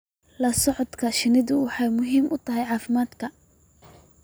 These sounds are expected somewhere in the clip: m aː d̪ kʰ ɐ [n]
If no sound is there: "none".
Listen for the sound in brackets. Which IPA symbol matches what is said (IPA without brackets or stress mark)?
none